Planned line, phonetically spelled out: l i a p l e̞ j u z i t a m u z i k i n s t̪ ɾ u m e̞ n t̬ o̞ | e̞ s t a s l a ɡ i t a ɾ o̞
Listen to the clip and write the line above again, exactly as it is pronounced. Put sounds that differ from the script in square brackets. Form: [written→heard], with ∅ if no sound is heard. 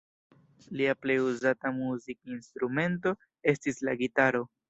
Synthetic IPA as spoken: l i a p l e̞ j u z [i→a] t a m u z i k i n s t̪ ɾ u m e̞ n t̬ o̞ | e̞ s t [a→i] s l a ɡ i t a ɾ o̞